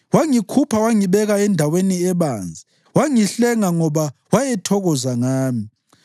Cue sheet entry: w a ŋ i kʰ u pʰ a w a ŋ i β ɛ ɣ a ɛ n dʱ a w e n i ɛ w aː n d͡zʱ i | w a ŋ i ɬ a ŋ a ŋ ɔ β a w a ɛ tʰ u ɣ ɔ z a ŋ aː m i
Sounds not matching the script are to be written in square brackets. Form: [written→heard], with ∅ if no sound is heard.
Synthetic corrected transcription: w a ŋ i kʰ u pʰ a w a ŋ i β ɛ ɣ a ɛ n dʱ a w e n i ɛ [w→β] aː n d͡zʱ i | w a ŋ i ɬ [a→ɛ] ŋ a ŋ ɔ β a w a ɛ tʰ [u→ɔ] ɣ ɔ z a ŋ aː m i